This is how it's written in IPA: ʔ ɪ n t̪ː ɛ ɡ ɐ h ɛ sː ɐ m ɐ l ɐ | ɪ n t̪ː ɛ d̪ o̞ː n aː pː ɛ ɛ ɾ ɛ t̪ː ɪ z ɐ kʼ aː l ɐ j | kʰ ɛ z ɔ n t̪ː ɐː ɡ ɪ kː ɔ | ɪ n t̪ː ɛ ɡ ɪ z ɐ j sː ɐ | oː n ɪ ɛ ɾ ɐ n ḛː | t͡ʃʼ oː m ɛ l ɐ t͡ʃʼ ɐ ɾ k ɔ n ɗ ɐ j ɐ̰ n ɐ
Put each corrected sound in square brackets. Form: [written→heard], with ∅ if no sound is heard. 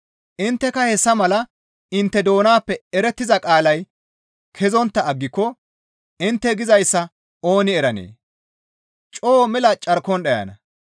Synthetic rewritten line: ʔ ɪ n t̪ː ɛ [ɡ→k] ɐ h ɛ sː ɐ m ɐ l ɐ | ɪ n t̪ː ɛ d̪ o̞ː n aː pː ɛ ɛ ɾ ɛ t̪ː ɪ z ɐ kʼ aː l ɐ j | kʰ ɛ z ɔ n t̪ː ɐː [ɡ→ɡː] ɪ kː ɔ | ɪ n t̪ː ɛ ɡ ɪ z ɐ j sː ɐ | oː n ɪ ɛ ɾ ɐ n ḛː | t͡ʃʼ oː m ɛ l ɐ t͡ʃʼ ɐ ɾ k ɔ n ɗ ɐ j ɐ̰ n ɐ